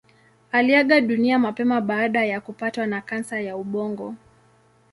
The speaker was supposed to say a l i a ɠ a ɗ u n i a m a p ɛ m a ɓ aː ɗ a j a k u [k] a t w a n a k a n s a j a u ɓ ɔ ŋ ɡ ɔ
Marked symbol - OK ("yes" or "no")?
no